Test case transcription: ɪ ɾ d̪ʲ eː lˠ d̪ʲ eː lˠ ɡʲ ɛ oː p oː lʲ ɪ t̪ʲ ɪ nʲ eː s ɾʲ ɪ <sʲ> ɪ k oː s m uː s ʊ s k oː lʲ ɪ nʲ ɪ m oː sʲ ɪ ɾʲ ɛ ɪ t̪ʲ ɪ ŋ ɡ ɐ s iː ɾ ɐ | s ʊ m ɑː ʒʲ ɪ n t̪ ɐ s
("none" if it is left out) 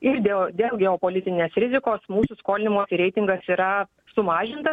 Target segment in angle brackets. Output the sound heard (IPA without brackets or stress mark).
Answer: zʲ